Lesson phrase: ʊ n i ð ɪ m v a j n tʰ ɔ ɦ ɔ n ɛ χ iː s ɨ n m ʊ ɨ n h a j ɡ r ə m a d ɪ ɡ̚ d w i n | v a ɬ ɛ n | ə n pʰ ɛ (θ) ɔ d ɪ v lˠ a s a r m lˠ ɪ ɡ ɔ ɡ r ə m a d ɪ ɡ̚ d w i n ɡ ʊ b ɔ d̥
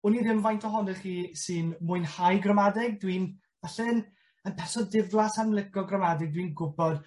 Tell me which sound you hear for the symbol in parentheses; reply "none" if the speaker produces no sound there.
s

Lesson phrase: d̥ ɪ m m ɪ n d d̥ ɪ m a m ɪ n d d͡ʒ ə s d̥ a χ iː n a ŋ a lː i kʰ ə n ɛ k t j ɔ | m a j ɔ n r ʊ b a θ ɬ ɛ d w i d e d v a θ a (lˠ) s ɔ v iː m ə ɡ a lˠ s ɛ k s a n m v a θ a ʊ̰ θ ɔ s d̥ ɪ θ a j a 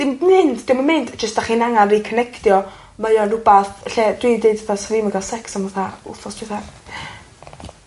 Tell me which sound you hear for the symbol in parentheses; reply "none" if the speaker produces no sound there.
none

